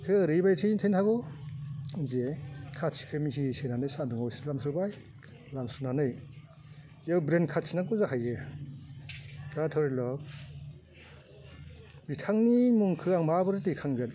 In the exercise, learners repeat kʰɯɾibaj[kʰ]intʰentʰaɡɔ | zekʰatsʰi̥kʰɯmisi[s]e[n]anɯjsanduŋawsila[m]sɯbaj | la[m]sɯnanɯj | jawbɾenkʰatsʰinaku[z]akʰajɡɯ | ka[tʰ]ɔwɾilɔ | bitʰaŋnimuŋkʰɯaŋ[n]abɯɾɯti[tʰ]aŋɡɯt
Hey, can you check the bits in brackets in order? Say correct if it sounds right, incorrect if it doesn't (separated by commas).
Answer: incorrect, correct, correct, correct, correct, correct, correct, incorrect, incorrect